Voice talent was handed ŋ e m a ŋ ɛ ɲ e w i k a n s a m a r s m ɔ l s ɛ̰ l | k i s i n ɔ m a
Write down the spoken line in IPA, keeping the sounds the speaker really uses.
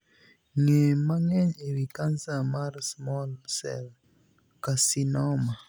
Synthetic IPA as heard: ŋ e m a ŋ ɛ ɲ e w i k a n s a m a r s m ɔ l s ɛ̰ l | k a s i n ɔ m a